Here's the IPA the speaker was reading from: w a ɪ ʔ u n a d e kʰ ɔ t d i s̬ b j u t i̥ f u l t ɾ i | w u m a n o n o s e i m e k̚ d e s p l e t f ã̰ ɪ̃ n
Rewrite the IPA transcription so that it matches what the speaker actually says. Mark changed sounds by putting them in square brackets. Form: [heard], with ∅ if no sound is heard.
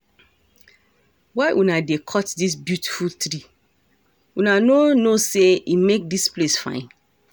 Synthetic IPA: w a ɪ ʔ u n a d e kʰ ɔ t d i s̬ b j u t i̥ f u l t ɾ i | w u [n] a n o n o s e i m e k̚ d [i] s p l e [s] f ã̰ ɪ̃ n